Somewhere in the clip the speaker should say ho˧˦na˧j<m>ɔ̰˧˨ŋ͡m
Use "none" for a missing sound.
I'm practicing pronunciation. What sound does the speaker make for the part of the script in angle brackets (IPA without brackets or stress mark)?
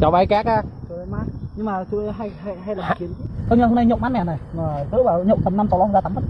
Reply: ɲ